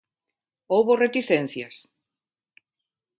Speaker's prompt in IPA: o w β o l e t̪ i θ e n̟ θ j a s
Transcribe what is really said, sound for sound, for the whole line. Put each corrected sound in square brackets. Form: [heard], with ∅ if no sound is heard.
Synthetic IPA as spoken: o w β o [r] e t̪ i θ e n̟ θ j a s